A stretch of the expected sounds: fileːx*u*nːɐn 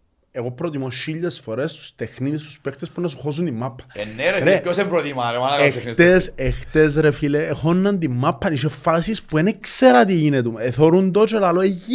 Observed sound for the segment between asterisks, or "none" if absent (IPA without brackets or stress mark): o